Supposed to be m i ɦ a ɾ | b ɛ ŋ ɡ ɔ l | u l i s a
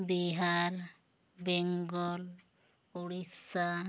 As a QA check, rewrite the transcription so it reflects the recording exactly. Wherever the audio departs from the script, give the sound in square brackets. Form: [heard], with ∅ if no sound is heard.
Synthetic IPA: [b] i ɦ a ɾ | b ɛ ŋ ɡ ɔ l | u [ɽ] i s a